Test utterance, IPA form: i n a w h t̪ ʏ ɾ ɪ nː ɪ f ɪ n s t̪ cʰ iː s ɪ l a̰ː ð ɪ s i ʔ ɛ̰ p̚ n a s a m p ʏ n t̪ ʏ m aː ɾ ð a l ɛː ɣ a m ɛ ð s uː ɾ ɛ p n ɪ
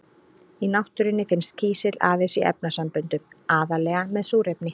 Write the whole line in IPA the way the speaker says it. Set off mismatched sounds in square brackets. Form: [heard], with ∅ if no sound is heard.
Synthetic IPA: i n a w h t̪ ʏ ɾ ɪ nː ɪ f ɪ n s t̪ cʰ iː s ɪ l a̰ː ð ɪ s i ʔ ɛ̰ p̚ n a s a m p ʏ n t̪ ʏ m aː [∅] ð a l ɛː ɣ a m ɛ ð s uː ɾ ɛ p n ɪ